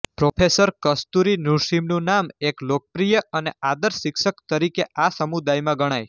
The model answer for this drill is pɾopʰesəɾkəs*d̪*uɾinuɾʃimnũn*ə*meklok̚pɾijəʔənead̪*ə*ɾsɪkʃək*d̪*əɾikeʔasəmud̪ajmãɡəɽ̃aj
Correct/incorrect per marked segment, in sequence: incorrect: t̪, incorrect: a, correct, incorrect: t̪

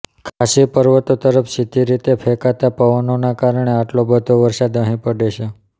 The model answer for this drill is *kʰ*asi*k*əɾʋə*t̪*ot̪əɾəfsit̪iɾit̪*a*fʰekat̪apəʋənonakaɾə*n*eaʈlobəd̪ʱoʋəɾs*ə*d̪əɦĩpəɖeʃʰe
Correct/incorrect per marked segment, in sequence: correct, incorrect: p, correct, incorrect: e, incorrect: ɳ, incorrect: a

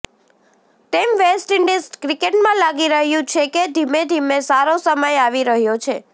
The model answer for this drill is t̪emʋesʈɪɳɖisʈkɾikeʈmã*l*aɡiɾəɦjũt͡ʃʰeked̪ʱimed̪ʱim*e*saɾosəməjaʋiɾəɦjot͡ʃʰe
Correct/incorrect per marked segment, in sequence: correct, correct

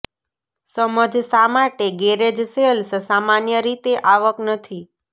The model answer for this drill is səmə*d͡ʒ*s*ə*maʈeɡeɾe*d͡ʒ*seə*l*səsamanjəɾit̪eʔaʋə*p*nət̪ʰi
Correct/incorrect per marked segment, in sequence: correct, incorrect: a, correct, correct, incorrect: k

